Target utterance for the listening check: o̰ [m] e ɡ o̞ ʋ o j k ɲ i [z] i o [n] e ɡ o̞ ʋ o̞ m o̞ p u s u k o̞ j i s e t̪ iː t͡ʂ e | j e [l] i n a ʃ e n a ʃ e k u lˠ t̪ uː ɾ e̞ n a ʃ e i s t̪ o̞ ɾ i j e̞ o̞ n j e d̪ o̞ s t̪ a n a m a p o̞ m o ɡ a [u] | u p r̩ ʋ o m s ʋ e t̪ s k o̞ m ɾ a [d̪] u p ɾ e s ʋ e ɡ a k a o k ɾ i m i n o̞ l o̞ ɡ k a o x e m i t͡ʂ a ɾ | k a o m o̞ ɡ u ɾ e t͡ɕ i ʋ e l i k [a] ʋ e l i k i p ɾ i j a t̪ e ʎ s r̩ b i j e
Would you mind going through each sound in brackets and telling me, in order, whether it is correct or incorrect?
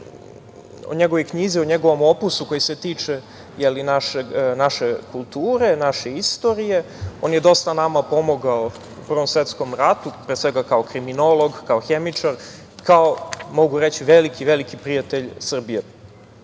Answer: incorrect: ɲ, correct, incorrect: ɲ, correct, incorrect: o, incorrect: t̪, incorrect: i

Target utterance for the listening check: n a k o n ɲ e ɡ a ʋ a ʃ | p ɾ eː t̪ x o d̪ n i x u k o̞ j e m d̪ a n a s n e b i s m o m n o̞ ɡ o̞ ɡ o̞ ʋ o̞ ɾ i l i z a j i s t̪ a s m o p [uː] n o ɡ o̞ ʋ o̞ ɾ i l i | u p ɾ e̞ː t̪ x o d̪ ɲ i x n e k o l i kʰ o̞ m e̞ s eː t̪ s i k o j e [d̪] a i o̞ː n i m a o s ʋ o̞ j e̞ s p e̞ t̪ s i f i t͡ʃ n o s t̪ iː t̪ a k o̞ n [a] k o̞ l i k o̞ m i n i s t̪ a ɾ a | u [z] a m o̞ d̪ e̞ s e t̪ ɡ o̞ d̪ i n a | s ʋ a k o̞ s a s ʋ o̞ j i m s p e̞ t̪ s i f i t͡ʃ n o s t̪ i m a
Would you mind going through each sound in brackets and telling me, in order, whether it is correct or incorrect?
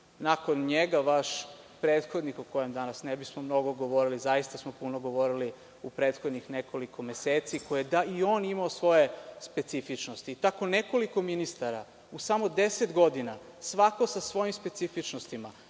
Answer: incorrect: u, correct, incorrect: e, incorrect: s

